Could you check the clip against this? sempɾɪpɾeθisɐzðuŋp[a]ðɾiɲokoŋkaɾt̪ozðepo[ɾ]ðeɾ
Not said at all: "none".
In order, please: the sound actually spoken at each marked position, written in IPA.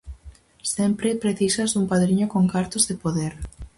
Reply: a, none

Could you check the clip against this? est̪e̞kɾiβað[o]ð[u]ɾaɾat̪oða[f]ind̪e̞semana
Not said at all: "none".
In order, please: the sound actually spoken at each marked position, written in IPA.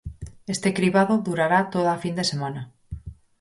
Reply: o, u, f

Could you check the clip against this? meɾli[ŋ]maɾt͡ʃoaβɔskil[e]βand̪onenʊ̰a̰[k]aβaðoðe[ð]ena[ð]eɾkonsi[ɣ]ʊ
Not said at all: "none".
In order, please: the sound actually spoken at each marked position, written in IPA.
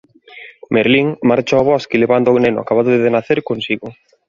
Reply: ŋ, e, k, ð, θ, ɣ

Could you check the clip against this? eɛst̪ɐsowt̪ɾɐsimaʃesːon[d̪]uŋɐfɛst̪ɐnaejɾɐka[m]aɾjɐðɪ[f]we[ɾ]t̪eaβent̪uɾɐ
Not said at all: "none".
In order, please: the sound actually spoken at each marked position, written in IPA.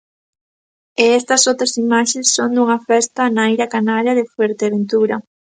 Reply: d̪, n, f, ɾ

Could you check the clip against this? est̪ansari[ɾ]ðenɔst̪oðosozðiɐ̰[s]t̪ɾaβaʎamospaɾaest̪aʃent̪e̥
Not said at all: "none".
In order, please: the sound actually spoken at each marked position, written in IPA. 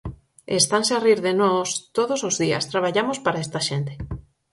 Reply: ɾ, s

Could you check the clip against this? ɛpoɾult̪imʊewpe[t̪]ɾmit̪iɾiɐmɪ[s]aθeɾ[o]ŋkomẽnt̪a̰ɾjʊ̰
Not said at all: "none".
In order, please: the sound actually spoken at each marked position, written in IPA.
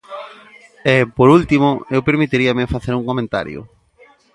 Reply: none, f, u

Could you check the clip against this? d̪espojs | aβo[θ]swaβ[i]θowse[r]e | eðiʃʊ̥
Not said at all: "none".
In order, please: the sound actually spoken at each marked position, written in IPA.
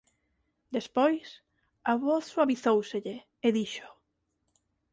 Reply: θ, i, ʎ

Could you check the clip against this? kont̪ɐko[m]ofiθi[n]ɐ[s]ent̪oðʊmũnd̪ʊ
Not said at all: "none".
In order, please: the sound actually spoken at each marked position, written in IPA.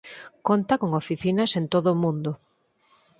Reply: ŋ, n, s

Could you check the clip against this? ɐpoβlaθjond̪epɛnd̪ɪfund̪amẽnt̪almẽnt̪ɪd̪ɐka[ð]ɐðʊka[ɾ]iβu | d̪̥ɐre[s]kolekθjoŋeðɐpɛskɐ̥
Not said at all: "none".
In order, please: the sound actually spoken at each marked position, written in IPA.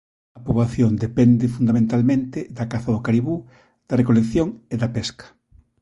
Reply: θ, ɾ, none

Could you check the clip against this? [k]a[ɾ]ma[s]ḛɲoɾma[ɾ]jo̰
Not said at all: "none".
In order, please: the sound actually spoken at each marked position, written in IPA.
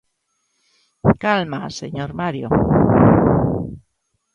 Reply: k, l, s, ɾ

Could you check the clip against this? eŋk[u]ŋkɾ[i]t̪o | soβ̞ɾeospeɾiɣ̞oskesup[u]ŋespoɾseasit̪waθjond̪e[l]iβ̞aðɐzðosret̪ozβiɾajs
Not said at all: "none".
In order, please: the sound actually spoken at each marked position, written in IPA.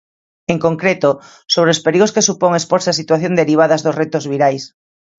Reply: o, e, o, ɾ

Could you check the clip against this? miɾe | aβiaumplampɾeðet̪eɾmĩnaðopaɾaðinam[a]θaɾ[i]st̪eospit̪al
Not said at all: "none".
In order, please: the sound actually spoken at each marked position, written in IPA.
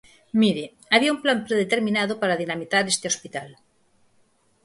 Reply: i, e

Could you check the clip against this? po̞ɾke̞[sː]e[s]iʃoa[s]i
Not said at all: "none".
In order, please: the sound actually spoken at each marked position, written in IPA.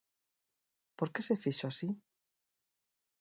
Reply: s, f, s

